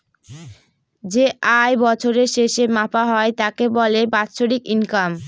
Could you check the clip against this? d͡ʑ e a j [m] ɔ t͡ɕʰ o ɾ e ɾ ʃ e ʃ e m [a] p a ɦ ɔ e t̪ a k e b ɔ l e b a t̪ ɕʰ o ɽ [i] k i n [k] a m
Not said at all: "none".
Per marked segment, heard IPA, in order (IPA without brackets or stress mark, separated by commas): b, a, i, k